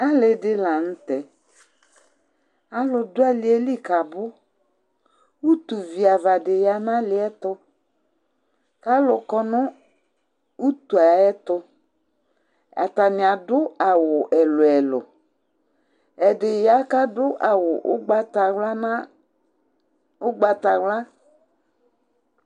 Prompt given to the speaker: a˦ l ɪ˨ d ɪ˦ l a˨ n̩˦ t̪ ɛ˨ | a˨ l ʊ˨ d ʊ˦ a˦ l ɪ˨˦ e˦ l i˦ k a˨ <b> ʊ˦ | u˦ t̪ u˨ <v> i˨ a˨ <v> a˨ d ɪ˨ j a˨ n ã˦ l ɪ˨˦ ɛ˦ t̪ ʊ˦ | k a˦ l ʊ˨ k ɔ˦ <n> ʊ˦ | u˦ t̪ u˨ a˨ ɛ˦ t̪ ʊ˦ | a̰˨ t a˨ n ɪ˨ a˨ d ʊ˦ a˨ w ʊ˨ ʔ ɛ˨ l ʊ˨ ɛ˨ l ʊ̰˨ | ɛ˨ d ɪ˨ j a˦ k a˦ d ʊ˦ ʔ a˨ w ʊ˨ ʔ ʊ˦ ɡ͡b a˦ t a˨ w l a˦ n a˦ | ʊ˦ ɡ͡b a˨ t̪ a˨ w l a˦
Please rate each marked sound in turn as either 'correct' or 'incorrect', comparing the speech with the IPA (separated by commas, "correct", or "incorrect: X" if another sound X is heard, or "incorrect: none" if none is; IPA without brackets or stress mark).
correct, correct, correct, correct